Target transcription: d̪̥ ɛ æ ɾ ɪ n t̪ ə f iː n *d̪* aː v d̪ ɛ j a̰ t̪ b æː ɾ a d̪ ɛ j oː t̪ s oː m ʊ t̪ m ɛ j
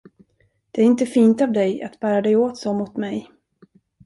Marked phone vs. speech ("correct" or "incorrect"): incorrect